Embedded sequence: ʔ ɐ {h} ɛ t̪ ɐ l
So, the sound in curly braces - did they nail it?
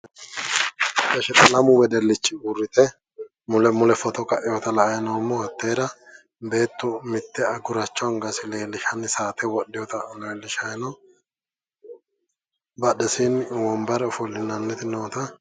no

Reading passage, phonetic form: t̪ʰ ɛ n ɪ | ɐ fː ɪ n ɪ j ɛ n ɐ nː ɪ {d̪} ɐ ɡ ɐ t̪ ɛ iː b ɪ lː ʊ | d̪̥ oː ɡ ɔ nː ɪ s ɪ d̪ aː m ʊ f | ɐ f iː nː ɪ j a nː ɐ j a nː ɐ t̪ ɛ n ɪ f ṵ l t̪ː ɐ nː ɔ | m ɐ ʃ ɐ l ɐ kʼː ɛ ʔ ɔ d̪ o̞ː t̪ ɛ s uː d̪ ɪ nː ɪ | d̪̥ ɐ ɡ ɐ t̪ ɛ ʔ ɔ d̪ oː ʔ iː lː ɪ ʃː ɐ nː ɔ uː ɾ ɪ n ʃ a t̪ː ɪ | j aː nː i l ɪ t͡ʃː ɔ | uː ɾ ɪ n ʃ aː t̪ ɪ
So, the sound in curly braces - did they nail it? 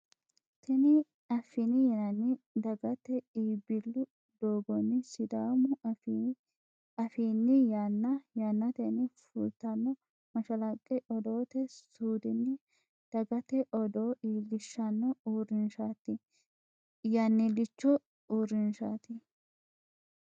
yes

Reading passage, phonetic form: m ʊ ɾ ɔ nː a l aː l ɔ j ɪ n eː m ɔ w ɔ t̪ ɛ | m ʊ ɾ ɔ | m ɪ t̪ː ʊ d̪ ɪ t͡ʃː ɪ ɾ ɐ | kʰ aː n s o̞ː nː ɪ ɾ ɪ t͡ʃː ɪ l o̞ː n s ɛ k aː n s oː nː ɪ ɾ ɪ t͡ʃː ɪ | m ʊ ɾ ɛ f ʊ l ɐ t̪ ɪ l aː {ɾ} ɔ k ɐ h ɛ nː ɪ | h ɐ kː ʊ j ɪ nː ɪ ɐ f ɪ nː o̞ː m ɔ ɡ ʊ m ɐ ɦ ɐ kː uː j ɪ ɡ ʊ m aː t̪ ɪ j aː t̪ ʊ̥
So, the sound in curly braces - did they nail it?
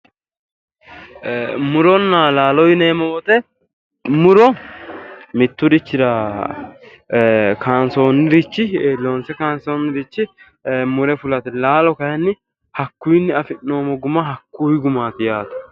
no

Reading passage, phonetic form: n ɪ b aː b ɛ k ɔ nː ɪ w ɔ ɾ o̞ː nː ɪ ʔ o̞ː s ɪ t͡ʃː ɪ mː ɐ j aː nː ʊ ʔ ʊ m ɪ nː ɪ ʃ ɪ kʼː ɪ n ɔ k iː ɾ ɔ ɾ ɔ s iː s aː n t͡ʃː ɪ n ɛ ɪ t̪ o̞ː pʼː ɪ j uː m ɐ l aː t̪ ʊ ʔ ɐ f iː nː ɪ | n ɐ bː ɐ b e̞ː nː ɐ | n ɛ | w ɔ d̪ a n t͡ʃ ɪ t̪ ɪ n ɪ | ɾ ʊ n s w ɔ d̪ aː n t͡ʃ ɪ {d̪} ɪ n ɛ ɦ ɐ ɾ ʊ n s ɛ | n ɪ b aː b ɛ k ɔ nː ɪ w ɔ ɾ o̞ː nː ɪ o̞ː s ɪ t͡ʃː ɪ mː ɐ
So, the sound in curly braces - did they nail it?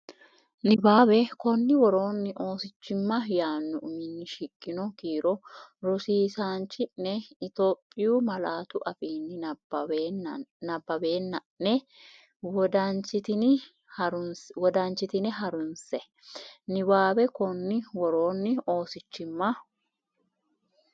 no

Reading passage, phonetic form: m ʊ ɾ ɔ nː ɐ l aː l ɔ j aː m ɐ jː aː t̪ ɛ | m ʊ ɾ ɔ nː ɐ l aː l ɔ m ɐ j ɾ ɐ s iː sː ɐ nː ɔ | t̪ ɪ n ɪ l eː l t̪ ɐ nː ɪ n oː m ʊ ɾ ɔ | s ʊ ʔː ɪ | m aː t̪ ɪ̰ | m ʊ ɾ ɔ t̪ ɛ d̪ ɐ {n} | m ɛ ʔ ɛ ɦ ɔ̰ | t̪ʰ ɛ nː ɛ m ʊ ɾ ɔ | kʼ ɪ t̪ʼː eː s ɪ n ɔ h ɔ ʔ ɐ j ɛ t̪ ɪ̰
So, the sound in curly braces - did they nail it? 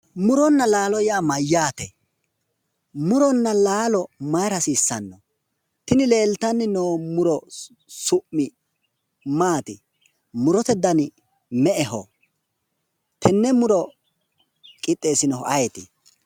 yes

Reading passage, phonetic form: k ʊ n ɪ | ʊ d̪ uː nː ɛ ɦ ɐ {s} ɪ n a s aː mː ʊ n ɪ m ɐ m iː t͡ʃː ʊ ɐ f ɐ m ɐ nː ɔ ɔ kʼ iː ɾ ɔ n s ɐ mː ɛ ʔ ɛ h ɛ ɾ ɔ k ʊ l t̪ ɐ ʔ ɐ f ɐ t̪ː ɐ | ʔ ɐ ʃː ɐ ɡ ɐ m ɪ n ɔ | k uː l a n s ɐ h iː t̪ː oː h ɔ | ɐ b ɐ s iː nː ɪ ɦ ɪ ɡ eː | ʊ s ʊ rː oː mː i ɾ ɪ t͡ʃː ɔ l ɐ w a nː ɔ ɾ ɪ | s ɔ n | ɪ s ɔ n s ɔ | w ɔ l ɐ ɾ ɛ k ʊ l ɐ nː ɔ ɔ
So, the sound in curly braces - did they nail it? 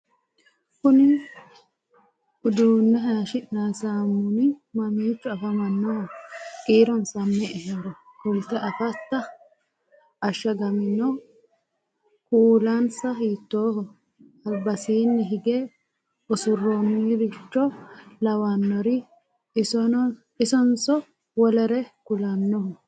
no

